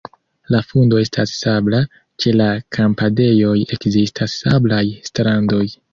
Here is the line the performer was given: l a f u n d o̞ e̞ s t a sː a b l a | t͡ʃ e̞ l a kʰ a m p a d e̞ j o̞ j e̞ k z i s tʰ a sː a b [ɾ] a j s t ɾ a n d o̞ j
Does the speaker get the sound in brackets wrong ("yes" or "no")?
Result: yes